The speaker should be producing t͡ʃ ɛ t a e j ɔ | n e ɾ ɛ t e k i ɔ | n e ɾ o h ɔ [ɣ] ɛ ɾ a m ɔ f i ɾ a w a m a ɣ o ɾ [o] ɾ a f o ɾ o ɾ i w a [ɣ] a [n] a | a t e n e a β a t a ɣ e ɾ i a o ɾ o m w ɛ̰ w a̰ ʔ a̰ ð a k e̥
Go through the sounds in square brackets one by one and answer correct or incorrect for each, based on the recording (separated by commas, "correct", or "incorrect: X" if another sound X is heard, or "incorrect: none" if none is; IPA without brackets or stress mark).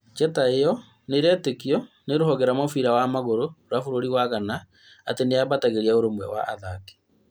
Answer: correct, correct, correct, correct